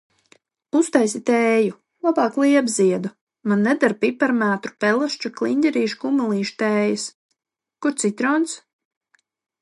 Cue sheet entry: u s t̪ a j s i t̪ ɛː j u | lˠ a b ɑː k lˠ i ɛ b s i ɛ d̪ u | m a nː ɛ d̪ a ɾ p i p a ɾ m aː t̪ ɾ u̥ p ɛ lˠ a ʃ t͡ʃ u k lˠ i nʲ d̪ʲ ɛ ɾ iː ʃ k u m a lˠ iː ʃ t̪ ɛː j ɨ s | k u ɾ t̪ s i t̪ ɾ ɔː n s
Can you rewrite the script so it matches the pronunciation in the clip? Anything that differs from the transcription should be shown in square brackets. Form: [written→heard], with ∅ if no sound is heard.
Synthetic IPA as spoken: u s t̪ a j s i t̪ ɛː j u | lˠ a b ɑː k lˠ i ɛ b [s→z] i ɛ d̪ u | m a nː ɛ d̪ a ɾ p i p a ɾ m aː t̪ ɾ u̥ p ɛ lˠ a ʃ t͡ʃ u k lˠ i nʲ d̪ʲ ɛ ɾ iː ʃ k u m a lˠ iː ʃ t̪ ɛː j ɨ s | k u ɾ t̪ s i t̪ ɾ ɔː n s

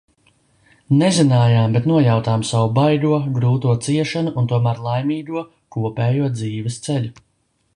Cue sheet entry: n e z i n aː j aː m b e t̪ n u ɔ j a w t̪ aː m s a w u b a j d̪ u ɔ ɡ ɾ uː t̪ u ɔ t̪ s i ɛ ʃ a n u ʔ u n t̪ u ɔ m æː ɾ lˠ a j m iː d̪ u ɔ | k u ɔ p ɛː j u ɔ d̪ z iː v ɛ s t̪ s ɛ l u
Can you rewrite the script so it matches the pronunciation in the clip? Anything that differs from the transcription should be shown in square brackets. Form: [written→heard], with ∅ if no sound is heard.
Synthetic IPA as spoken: n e z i n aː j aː m b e t̪ n u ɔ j a w t̪ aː m s a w u b a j d̪ u ɔ ɡ ɾ uː t̪ u ɔ t̪ s i ɛ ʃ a n u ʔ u n t̪ u ɔ m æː ɾ lˠ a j m iː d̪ u ɔ | k u ɔ p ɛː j u ɔ d̪ z iː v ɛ s t̪ s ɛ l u

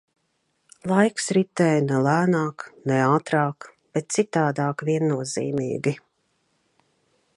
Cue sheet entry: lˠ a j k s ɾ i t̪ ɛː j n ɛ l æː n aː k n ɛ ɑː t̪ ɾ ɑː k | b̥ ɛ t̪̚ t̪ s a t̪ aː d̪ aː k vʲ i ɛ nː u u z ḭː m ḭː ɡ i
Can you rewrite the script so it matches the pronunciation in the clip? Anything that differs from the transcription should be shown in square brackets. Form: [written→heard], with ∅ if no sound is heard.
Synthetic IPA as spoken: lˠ a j k s ɾ i t̪ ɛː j n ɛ l æː n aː k n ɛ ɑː t̪ ɾ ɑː k | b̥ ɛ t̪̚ t̪ s [a→i] t̪ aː d̪ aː k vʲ i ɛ nː u [u→ɔ] z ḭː m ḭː ɡ i

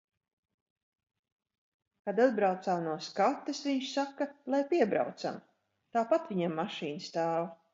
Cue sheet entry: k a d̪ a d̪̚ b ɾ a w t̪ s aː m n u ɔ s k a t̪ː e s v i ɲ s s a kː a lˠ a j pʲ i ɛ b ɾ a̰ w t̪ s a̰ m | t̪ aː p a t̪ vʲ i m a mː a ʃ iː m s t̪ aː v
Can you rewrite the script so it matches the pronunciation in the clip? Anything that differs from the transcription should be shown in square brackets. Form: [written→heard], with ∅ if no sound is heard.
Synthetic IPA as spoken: k a d̪ a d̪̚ b ɾ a w t̪ s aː m n u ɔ s k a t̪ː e s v i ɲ [s→ʃ] s a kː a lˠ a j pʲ i ɛ b ɾ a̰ w t̪ s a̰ m | t̪ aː p a t̪ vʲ i [m→ɲ] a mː a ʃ iː [m→n] s t̪ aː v

